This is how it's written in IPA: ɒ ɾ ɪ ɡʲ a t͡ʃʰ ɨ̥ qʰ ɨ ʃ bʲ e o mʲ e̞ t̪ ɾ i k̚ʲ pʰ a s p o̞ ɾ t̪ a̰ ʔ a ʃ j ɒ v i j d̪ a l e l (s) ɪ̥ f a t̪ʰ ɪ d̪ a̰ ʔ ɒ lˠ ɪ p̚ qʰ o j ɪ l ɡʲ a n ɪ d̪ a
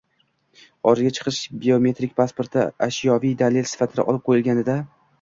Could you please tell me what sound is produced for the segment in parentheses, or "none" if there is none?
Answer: s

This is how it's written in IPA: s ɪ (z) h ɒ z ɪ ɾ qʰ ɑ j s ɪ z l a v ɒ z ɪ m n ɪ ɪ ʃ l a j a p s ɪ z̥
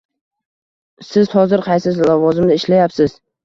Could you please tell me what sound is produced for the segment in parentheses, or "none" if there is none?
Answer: z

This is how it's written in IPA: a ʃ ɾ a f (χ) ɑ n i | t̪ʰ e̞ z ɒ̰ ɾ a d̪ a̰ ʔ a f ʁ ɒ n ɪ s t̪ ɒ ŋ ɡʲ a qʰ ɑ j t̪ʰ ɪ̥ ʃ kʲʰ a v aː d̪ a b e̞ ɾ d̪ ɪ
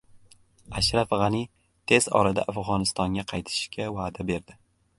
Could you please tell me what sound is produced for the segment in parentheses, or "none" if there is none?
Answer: ʁ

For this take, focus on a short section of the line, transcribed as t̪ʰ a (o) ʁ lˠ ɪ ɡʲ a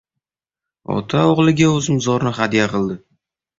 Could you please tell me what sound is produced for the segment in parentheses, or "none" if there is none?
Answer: o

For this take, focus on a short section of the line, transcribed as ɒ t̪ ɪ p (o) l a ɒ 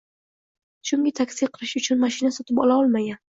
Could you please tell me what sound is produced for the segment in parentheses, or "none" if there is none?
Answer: ɒ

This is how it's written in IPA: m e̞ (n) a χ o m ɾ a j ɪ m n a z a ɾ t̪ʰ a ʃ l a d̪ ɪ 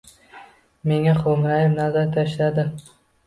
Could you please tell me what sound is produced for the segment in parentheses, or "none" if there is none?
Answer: ŋ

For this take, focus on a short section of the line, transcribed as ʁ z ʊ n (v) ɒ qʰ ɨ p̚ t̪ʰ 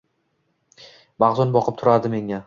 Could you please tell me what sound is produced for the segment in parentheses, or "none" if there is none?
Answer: b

